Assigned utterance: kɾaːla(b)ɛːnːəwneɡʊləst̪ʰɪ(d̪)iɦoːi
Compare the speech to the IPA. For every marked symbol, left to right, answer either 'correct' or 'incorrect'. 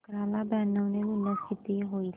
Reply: correct, incorrect: t̪

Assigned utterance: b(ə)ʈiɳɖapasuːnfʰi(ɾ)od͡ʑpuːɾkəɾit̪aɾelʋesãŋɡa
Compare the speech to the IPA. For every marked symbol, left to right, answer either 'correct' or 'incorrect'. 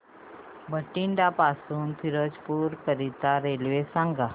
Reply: correct, correct

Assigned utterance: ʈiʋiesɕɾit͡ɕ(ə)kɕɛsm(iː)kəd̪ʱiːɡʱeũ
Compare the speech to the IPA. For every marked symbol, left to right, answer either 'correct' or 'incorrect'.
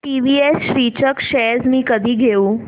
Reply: correct, correct

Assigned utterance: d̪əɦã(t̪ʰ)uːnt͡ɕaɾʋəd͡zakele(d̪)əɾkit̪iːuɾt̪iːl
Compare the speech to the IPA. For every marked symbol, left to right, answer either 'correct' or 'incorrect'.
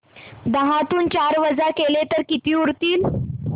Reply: incorrect: t̪, incorrect: t̪

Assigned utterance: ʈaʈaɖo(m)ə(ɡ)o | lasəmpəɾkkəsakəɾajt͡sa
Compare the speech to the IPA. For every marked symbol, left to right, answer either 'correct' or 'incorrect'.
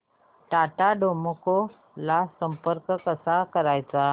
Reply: correct, incorrect: k

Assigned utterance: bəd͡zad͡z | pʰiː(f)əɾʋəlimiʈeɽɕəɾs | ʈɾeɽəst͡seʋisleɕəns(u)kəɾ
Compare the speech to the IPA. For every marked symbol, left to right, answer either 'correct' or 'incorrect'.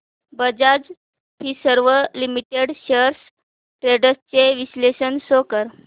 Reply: incorrect: s, incorrect: o

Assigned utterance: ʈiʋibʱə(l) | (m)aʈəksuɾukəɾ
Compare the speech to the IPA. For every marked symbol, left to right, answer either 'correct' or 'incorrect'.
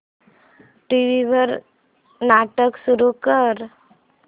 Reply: incorrect: ɾ, incorrect: n

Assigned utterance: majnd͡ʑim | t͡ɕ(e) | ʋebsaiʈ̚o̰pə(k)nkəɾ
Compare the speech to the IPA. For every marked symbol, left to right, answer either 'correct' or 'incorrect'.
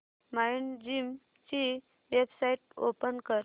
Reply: incorrect: i, incorrect: none

